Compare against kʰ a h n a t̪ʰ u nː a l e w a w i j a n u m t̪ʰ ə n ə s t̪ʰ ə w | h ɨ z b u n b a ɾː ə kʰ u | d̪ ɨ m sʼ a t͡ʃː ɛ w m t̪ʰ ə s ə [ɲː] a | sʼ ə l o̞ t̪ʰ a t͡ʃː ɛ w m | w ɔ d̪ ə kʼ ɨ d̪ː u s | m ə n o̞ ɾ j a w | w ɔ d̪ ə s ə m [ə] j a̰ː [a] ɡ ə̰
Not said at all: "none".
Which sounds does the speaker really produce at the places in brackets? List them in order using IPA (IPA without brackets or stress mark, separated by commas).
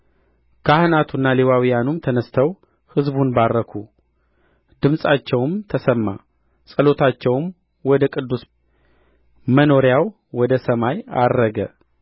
mː, a, ə